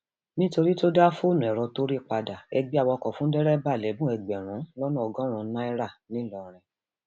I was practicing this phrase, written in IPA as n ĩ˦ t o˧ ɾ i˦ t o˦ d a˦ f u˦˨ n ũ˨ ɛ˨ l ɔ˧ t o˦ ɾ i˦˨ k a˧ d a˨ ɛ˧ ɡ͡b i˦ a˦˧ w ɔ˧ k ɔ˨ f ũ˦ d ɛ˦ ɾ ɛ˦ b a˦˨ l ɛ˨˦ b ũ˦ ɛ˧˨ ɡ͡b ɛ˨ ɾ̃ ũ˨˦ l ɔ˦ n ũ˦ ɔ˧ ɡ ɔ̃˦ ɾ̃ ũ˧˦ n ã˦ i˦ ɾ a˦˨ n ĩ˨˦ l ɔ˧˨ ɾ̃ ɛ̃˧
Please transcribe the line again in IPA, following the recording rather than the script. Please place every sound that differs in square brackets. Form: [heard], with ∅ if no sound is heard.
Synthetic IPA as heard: n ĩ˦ t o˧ ɾ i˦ t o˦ d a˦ f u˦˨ n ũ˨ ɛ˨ [ɾ] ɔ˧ t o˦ ɾ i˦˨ [k͡p] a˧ d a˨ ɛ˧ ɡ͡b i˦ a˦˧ w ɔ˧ k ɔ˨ f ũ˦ d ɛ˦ ɾ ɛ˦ b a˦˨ l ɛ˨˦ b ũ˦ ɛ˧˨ ɡ͡b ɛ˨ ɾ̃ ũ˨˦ l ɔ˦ n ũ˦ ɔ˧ ɡ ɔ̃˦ ɾ̃ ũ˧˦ n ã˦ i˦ ɾ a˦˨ n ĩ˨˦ l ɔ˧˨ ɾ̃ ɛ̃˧